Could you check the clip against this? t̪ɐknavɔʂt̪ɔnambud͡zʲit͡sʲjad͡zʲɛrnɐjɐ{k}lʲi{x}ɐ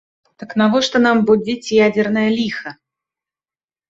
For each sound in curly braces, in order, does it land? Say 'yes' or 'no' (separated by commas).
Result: no, yes